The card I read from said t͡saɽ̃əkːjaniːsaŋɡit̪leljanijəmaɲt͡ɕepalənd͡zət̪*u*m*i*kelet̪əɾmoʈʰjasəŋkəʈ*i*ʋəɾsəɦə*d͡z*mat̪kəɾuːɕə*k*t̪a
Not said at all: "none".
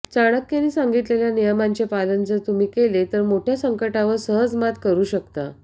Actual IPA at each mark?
u, iː, a, d͡z, k

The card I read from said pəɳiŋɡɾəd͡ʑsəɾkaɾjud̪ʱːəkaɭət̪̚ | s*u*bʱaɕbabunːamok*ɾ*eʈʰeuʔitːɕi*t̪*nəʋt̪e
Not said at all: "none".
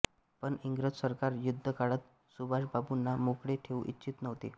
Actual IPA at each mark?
u, ɽ, t̪

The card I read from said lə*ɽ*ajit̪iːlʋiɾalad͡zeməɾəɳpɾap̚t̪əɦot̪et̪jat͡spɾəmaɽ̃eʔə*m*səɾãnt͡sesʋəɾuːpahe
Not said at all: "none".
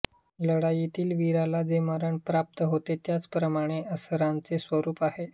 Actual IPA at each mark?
ɽ, none

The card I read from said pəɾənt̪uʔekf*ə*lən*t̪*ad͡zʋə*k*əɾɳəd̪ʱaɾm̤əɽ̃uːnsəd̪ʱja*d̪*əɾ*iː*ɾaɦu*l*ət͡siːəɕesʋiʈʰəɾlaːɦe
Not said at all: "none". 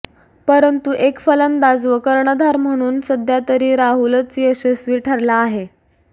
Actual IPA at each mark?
ə, d̪, k, t̪, iː, l

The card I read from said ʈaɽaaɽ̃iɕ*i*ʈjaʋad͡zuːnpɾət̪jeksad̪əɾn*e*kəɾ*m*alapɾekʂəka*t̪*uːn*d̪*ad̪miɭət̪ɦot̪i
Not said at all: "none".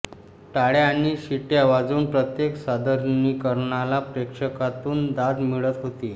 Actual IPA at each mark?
i, i, ɳ, t̪, d̪

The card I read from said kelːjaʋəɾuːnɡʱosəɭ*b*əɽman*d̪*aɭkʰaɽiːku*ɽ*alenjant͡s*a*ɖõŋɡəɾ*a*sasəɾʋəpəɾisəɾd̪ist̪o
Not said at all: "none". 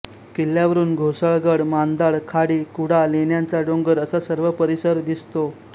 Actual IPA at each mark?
ɡ, d̪, ɽ, a, ə

